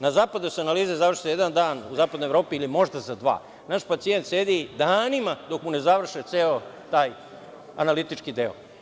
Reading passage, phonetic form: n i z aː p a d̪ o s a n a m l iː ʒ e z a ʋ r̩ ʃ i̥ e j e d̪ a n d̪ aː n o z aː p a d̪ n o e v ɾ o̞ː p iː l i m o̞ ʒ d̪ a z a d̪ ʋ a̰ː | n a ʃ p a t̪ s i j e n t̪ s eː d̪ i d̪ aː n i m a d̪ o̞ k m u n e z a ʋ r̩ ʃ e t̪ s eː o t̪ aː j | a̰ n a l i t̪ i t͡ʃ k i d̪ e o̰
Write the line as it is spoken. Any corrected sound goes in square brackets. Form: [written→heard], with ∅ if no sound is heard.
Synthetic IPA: n [i→a] z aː p a d̪ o s a n a [m→∅] l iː [ʒ→z] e z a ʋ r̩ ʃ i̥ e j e d̪ a n d̪ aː n [o→u] z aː p a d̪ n o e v ɾ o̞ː p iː l i m o̞ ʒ d̪ a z a d̪ ʋ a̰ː | n a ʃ p a t̪ s i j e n t̪ s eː d̪ i d̪ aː n i m a d̪ o̞ k m u n e z a ʋ r̩ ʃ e t̪ s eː o t̪ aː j | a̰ n a l i t̪ i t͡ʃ k i d̪ e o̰